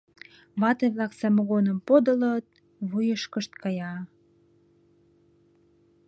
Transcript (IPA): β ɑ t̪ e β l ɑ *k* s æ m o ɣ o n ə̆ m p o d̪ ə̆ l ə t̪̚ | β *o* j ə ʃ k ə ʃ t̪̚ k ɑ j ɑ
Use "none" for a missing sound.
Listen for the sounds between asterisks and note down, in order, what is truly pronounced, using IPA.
k, u

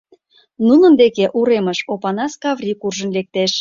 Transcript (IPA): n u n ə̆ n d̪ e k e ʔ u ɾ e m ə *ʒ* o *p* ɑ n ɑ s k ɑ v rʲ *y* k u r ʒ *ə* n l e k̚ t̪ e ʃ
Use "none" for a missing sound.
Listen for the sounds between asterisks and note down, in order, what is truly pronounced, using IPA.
ʃ, p, i, ə

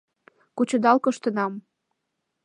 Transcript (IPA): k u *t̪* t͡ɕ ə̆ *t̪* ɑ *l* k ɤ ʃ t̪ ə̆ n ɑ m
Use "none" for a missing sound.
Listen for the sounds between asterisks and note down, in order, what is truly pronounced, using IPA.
none, d̪, l

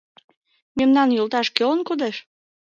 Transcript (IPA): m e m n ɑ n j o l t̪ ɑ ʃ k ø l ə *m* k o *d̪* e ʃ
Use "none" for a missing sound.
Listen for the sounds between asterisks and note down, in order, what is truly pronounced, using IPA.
n, d̪

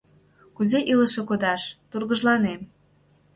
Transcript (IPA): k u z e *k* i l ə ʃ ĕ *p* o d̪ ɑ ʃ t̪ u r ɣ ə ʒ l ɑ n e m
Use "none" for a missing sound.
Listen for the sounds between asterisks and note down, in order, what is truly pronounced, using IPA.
ʔ, k

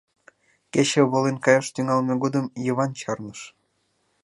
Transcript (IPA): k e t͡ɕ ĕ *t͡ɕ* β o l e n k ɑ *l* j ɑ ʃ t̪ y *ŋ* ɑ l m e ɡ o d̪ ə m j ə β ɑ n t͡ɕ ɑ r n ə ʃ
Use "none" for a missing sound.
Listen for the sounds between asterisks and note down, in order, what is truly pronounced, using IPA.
none, none, ŋ

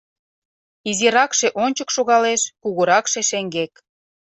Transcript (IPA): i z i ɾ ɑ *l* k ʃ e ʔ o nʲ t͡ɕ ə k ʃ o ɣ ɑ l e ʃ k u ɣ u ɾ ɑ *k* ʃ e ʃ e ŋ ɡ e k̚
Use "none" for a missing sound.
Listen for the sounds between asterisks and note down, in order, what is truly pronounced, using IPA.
none, k

